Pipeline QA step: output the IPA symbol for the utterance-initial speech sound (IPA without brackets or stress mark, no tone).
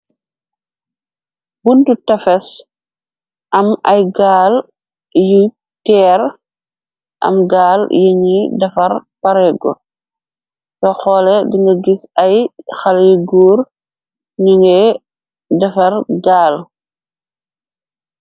b